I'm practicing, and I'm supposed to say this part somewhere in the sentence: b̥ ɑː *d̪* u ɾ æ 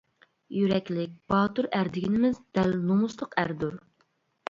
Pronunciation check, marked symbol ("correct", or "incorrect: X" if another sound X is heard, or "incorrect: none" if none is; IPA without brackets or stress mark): incorrect: t̪